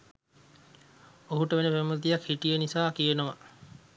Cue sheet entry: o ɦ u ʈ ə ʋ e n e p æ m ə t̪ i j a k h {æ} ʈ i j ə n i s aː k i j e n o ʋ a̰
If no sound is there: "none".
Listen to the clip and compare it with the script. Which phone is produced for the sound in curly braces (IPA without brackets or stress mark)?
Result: i